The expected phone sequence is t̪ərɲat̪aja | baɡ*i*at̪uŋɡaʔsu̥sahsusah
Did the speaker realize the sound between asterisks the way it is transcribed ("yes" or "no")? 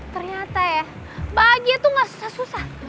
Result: yes